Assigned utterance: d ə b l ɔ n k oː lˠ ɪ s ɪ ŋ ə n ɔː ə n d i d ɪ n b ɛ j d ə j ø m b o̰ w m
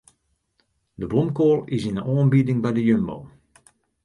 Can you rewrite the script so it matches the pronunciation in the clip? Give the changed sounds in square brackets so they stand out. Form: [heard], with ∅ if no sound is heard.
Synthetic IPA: d ə b l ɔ [m] k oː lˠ ɪ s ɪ [n] ə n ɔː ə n [b] i d ɪ [ŋ] b ɛ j d ə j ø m b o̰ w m